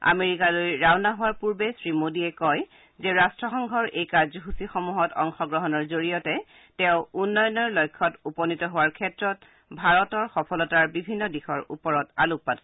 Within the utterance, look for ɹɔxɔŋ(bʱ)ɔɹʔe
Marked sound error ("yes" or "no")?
yes